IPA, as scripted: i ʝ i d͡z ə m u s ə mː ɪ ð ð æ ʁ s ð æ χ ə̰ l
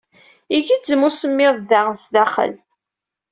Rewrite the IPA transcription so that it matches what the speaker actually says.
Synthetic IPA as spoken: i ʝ i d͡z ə m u s ə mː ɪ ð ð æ ʁ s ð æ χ ə̰ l

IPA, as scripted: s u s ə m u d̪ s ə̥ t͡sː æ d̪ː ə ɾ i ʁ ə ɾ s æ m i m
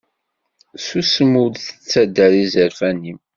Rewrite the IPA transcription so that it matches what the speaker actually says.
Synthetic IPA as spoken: s u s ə m u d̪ θ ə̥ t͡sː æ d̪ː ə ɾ i z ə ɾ f æ n i m

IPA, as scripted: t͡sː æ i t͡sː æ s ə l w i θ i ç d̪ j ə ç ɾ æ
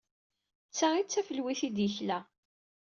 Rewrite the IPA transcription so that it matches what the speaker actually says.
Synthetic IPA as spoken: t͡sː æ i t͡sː æ f ə l w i θ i d̪ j ə ç l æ

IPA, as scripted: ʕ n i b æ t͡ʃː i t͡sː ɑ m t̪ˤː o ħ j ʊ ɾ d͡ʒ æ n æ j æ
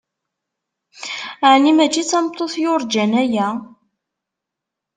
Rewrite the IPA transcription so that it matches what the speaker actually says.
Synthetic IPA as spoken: ʕ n i m æ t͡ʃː i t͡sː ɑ m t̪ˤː o θ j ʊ ɾ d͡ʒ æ n æ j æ

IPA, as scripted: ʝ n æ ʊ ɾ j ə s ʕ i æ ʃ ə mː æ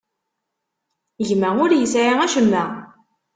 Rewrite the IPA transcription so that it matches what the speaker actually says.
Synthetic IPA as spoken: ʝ m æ ʊ ɾ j ə s ʕ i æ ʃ ə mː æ

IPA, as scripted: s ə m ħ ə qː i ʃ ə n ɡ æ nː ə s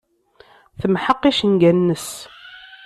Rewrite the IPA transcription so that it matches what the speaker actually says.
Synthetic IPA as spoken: θ ə m ħ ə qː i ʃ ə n ɡ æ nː ə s

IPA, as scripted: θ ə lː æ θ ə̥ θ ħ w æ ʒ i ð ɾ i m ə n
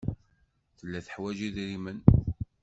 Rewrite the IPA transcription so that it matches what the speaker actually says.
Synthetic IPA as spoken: θ ə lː æ θ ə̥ ħ w æ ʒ i ð ɾ i m ə n

